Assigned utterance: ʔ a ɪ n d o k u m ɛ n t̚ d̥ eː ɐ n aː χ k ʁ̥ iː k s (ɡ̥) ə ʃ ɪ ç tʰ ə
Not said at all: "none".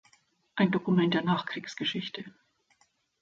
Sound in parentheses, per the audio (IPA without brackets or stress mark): ɡ̥